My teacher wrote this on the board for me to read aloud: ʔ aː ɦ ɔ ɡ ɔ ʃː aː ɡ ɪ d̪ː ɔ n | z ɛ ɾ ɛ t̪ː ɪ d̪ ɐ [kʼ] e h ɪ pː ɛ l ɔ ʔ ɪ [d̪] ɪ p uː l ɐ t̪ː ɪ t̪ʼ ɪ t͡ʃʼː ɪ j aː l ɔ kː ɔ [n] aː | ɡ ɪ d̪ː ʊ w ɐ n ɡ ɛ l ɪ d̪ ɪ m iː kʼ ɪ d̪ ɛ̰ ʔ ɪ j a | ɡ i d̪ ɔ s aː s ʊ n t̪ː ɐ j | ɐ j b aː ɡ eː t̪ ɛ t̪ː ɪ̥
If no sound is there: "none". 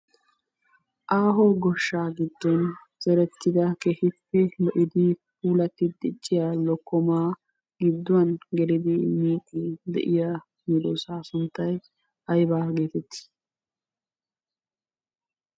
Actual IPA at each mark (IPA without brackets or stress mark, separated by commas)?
k, d̪, m